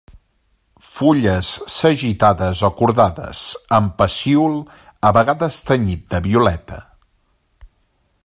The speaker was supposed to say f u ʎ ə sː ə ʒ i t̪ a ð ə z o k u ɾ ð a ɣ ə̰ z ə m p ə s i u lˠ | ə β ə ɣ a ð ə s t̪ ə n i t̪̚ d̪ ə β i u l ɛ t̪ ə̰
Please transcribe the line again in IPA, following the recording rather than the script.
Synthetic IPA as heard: f u ʎ ə sː ə ʒ i t̪ a ð ə z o k u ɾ ð a ð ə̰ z ə m p ə s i u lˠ | ə β ə ɣ a ð ə s t̪ ə ɲ i t̪̚ d̪ ə β i u l ɛ t̪ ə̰